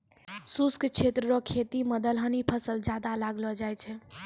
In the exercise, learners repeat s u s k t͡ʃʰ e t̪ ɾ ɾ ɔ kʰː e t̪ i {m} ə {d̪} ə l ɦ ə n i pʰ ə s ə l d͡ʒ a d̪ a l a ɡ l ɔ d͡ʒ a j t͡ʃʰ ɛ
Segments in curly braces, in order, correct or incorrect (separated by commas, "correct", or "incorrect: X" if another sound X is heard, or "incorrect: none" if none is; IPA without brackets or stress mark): correct, correct